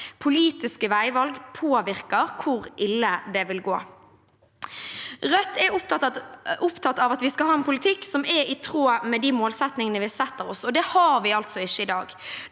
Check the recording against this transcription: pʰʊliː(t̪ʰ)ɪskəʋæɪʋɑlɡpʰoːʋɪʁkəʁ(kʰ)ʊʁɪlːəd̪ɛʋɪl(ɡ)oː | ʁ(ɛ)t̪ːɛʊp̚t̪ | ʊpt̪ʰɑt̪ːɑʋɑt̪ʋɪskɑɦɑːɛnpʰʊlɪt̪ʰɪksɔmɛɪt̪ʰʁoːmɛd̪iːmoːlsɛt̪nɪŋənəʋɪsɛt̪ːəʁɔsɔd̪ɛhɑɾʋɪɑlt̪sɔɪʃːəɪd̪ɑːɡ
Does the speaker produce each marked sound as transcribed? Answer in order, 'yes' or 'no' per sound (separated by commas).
no, yes, yes, no